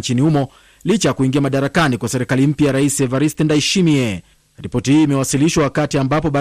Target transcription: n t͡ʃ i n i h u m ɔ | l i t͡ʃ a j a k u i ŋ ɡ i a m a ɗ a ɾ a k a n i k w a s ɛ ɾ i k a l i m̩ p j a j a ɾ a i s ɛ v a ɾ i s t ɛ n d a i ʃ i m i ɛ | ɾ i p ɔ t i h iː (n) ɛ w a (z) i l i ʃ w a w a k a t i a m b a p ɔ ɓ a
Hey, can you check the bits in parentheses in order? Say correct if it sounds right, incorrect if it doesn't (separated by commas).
incorrect, incorrect